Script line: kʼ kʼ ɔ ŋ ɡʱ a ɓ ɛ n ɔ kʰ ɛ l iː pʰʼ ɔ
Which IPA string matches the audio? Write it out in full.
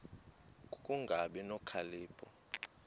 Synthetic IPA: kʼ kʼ u ŋ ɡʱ a ɓ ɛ n ɔ kʰ a l iː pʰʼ ɔ